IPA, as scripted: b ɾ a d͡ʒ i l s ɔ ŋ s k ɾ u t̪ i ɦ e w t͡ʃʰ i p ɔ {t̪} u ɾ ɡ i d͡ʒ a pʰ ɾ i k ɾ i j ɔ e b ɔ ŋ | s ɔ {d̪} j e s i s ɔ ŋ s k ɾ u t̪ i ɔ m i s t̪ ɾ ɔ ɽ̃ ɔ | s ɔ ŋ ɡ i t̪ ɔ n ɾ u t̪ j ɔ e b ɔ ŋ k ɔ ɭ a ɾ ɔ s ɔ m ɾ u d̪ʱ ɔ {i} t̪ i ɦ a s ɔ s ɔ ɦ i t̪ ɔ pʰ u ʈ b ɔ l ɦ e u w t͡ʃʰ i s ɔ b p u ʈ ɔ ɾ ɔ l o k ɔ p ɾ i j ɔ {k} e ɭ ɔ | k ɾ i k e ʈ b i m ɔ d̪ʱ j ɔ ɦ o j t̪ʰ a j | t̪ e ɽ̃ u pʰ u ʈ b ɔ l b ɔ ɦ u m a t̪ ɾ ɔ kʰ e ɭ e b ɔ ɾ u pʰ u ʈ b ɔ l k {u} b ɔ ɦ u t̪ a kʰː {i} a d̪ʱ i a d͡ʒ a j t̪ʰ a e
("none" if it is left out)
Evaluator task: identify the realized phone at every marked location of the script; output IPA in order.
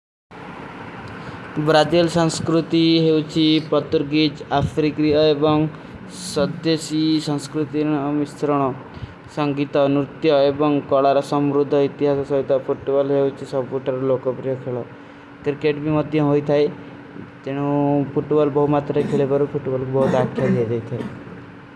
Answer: t̪, d̪, i, kʰ, u, j

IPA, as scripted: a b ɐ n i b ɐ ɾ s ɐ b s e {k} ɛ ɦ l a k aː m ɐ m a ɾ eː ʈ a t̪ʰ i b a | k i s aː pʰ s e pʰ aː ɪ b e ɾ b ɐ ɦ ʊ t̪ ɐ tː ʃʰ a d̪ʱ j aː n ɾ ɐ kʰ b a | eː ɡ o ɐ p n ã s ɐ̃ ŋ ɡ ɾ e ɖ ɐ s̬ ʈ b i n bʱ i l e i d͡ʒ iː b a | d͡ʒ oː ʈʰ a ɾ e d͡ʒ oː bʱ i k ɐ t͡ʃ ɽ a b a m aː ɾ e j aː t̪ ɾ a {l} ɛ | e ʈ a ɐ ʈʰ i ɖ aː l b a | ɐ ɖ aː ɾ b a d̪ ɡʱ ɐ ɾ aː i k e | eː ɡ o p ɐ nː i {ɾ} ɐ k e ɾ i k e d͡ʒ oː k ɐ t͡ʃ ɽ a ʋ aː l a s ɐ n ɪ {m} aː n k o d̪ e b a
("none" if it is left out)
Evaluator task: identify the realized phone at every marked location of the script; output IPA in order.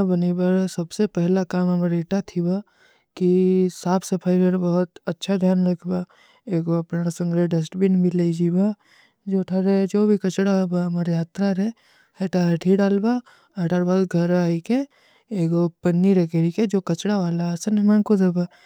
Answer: p, ɾ, ɾ, m

